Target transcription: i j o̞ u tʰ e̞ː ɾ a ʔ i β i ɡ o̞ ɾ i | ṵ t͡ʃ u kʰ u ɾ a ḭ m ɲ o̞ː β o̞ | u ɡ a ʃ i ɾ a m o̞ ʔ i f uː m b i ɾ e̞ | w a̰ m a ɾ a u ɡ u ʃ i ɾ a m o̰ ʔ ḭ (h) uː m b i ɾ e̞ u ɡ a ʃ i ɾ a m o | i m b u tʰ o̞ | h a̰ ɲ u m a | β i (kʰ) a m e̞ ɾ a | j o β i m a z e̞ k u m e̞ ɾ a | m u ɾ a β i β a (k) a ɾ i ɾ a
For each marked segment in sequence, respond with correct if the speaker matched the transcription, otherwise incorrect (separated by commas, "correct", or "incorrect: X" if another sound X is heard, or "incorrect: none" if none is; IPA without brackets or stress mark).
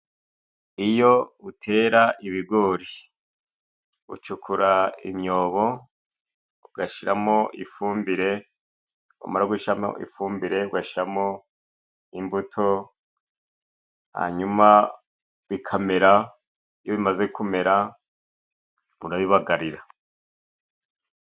incorrect: f, correct, incorrect: ɡ